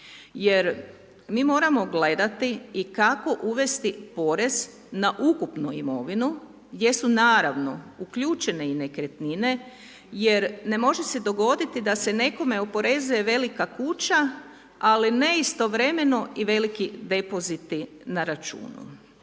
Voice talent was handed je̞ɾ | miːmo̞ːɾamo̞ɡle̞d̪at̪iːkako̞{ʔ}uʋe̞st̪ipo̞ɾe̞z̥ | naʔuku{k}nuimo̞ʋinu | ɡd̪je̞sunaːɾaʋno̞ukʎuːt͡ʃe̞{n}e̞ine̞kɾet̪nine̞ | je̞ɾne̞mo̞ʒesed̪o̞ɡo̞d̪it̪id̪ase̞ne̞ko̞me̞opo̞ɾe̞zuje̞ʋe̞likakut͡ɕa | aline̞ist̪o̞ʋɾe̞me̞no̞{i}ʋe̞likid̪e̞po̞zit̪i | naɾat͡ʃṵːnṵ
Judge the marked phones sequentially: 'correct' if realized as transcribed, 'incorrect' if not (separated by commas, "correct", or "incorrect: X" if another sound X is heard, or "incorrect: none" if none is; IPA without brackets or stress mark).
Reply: correct, incorrect: p, correct, correct